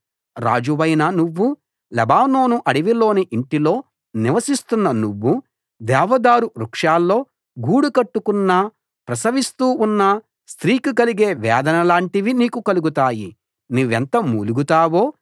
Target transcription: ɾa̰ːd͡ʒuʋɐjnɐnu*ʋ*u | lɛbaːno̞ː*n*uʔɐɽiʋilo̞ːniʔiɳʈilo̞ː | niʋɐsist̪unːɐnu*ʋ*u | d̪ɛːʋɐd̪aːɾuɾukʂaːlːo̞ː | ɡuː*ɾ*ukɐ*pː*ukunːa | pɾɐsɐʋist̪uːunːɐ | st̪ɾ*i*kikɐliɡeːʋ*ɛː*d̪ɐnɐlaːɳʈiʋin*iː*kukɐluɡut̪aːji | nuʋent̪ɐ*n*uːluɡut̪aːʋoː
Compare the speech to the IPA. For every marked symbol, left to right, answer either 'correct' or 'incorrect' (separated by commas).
incorrect, correct, incorrect, incorrect, incorrect, incorrect, correct, correct, incorrect